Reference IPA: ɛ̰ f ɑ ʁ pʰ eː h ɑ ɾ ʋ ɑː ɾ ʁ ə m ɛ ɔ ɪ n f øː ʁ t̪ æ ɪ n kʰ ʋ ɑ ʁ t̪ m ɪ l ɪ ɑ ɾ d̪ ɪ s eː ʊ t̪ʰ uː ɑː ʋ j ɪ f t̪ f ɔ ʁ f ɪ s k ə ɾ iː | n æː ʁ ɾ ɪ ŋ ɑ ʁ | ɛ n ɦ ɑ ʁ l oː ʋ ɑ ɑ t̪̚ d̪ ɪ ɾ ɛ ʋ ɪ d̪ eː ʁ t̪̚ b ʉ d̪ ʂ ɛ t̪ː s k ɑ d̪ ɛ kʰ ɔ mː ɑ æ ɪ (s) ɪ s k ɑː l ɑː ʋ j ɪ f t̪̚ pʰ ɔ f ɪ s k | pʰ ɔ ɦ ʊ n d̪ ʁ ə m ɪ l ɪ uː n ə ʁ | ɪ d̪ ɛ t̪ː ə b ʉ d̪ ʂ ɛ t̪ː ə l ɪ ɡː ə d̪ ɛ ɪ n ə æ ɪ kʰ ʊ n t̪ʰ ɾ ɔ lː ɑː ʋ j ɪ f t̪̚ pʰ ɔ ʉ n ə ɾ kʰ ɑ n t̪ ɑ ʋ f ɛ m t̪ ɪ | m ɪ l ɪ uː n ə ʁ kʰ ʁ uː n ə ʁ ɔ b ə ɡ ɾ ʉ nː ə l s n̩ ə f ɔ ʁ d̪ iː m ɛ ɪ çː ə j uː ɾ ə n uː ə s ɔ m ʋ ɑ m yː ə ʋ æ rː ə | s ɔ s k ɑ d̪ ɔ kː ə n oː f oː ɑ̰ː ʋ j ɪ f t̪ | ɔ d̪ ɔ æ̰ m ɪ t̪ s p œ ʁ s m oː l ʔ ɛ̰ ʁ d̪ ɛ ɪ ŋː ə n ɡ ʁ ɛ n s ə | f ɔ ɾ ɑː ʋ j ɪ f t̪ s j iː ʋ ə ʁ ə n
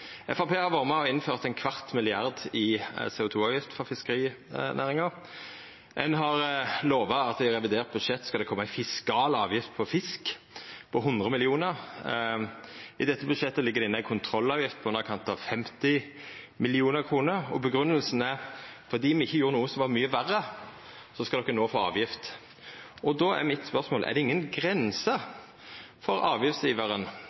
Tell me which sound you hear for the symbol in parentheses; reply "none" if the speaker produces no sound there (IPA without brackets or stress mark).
f